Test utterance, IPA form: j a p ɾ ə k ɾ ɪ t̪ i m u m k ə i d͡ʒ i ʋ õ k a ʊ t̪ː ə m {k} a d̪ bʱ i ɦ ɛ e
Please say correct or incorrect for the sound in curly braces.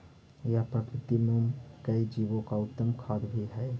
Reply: incorrect